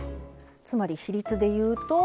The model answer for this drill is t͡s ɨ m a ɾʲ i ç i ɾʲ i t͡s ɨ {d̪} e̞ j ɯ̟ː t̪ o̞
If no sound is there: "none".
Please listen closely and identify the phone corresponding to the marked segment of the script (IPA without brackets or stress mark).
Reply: d̪